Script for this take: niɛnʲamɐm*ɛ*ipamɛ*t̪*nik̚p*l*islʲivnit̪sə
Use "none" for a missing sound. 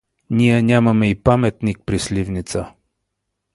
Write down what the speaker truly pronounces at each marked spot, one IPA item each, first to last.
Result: ɛ, t̪, ɾ

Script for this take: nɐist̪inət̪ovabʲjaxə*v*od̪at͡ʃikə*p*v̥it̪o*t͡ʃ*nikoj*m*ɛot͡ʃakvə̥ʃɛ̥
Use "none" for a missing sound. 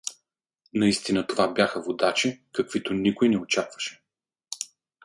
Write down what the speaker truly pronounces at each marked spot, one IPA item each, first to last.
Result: v, k, none, n

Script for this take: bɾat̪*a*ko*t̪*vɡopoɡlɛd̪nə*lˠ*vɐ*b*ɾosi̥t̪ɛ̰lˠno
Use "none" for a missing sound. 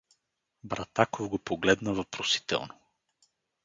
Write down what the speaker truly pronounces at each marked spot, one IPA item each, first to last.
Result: a, none, none, p

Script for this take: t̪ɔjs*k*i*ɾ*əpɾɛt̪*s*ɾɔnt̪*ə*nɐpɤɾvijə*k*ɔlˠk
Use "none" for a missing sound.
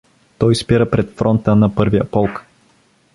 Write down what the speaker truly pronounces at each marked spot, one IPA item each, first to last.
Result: p, ɾ, f, ə, p

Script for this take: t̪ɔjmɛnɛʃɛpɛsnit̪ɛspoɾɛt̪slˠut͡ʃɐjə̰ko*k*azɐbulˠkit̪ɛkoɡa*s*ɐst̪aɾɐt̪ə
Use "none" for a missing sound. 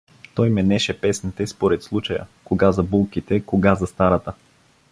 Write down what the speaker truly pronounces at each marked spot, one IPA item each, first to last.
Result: ɡ, z

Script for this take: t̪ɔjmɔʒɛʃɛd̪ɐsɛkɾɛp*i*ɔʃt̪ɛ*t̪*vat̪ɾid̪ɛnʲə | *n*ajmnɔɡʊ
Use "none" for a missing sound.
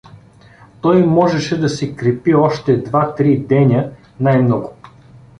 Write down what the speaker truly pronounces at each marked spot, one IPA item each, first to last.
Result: i, d̪, n

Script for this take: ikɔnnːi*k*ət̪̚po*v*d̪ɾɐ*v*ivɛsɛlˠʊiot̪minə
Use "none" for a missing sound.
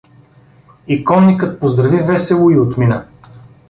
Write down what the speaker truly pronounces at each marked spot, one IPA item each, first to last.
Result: k, z, v

